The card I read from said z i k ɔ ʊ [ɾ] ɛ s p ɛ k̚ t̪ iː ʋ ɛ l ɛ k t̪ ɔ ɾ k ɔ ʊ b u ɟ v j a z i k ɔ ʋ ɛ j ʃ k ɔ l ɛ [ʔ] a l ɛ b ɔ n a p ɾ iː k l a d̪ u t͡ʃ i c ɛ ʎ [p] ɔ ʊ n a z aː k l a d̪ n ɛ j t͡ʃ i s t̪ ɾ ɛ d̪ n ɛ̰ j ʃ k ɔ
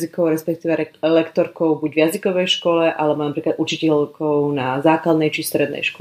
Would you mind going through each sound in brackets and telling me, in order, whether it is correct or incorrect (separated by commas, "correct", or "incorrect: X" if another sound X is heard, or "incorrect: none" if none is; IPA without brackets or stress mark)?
correct, correct, incorrect: k